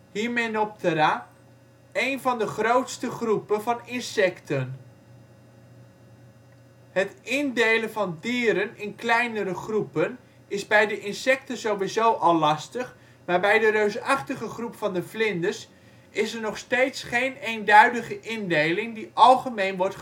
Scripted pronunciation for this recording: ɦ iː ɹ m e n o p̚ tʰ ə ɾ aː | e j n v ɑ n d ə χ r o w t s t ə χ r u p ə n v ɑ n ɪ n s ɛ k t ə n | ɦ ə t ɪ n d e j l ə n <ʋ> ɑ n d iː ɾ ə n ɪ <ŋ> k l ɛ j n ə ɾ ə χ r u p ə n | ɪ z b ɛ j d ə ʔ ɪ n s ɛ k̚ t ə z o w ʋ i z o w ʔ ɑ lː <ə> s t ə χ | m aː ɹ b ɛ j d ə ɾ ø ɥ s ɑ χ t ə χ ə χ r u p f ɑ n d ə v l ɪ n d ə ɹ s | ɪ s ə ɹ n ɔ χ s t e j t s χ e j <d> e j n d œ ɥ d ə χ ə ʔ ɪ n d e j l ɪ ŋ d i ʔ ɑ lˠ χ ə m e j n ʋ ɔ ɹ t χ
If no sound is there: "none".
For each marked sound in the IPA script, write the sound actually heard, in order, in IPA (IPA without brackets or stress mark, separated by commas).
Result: v, n, ɑ, n